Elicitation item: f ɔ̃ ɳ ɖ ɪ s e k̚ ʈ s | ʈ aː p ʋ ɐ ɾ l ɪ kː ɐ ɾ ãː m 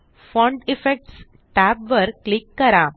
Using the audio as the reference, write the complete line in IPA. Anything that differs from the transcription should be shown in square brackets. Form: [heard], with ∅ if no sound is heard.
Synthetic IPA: f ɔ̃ ɳ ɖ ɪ [f] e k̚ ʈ s | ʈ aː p ʋ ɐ ɾ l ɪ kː ɐ ɾ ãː m